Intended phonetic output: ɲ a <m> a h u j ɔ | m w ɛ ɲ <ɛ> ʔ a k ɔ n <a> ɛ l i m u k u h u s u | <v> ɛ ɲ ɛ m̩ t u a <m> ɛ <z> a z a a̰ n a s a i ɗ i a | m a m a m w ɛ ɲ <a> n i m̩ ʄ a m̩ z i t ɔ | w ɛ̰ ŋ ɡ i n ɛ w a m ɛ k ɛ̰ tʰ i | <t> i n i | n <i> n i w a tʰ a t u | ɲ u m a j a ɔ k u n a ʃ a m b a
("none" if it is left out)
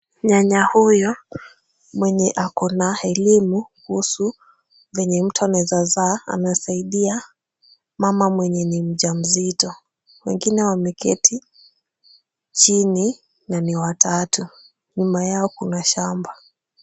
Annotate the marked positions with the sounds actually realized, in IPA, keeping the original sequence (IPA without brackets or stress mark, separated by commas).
ɲ, ɛ, a, v, n, z, ɛ, t͡ʃ, a